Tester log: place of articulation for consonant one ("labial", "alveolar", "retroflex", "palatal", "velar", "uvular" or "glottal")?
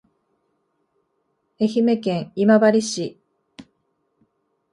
palatal